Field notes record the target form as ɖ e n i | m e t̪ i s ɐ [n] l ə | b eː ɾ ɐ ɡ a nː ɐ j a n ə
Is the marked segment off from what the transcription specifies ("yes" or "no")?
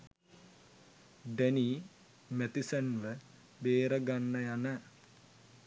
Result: no